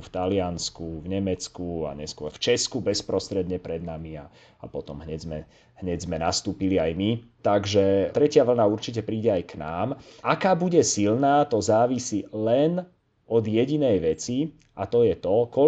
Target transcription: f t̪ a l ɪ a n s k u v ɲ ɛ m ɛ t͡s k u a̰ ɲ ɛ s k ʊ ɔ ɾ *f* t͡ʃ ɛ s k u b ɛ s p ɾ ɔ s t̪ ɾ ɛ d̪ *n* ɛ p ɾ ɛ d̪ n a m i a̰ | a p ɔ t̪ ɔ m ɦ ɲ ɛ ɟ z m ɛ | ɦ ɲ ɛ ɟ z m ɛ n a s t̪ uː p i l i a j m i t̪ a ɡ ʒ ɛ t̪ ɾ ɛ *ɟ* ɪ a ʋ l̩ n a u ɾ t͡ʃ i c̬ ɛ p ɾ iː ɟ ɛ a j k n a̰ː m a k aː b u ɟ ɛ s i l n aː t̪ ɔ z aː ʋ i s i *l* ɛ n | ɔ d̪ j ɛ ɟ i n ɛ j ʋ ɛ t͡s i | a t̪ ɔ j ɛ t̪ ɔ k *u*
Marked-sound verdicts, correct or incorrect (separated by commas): correct, incorrect, incorrect, correct, incorrect